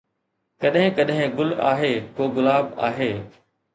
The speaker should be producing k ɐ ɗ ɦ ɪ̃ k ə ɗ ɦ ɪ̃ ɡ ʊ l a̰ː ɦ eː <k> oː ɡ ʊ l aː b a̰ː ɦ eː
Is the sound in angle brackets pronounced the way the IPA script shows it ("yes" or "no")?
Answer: yes